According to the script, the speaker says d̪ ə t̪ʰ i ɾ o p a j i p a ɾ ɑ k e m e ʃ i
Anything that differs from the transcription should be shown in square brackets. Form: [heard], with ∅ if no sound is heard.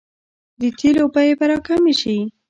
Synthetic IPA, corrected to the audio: d̪ ə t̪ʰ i [l] o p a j [e] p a ɾ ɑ k [a] m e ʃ i